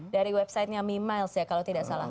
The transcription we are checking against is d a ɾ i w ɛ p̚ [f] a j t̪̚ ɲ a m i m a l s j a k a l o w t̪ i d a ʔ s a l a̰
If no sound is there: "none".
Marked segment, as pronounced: s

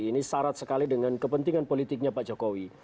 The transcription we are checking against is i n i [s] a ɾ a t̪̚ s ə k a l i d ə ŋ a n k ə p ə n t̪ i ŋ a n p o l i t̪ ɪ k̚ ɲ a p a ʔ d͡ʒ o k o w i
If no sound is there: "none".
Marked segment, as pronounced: s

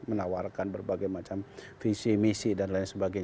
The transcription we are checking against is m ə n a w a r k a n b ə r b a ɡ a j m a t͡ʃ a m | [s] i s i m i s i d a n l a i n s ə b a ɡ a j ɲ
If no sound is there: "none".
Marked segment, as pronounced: f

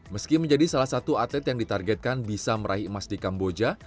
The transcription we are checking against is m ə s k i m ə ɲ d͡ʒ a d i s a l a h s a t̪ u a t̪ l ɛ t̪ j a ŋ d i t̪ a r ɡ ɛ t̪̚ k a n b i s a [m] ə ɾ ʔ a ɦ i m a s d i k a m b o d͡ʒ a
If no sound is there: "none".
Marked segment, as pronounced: m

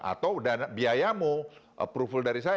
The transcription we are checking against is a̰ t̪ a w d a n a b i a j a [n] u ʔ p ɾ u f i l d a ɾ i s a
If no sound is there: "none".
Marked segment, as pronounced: m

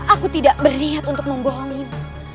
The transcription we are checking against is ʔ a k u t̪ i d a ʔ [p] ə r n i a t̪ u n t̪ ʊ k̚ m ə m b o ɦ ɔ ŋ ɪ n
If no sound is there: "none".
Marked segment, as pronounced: b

